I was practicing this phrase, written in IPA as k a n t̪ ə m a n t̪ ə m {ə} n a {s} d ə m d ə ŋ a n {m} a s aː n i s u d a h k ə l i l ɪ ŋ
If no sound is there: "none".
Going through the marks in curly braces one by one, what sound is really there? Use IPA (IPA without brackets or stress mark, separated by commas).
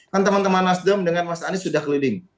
a, s, m